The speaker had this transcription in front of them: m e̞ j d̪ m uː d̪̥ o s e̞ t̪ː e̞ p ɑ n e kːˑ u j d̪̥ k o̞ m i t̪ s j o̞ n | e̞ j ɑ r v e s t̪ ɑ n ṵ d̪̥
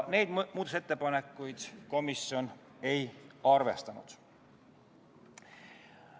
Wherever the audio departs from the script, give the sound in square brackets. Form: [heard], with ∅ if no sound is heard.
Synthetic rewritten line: [n] e̞ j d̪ m uː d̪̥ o s e̞ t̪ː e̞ p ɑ n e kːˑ u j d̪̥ k o̞ m i [∅] s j o̞ n | e̞ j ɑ r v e s t̪ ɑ n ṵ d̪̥